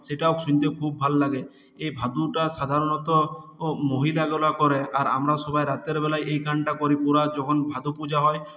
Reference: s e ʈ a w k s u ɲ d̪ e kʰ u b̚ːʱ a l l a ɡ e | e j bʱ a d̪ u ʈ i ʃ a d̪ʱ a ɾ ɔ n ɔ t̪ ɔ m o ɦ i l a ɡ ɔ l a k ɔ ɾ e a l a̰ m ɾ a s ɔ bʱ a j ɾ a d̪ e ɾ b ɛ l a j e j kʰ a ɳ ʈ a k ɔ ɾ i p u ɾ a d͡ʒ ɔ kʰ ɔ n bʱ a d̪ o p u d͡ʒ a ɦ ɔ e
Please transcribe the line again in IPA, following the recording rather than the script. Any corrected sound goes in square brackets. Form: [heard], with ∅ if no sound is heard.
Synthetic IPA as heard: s e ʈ a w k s u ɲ [t̪] e kʰ u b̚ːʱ a l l a ɡ e | e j bʱ a d̪ u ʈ [a] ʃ a d̪ʱ a ɾ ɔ n ɔ t̪ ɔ m o ɦ i l a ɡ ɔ l a k ɔ ɾ e a [ɾ] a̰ m ɾ a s ɔ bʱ a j ɾ a [t̪] e ɾ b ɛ l a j e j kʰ a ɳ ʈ a k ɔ ɾ i p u ɾ a d͡ʒ ɔ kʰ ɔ n bʱ a d̪ [u] p u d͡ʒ a ɦ ɔ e